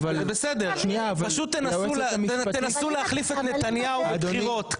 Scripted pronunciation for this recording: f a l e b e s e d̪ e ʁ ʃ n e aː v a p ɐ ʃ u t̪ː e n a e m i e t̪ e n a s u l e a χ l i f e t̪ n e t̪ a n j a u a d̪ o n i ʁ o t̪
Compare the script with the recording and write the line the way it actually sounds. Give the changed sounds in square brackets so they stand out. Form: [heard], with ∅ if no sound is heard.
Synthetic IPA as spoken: [v] a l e b e s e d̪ e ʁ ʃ n [i] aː v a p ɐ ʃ u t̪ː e n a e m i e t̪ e n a s u l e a χ l i f e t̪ n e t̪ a n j a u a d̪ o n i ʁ o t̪